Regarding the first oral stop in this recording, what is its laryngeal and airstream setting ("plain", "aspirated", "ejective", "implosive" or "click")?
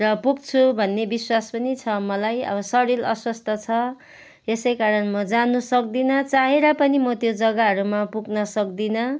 plain